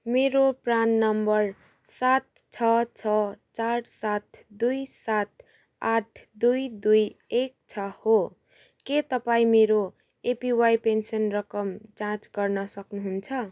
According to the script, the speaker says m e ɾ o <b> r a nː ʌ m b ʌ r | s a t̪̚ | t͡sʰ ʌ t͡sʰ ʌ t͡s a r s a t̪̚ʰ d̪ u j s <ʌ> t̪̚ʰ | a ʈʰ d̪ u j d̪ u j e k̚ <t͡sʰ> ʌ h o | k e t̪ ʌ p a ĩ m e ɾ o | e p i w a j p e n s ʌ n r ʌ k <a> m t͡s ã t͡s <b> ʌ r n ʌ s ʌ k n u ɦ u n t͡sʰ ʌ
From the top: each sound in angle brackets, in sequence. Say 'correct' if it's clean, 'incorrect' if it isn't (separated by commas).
incorrect, incorrect, correct, incorrect, incorrect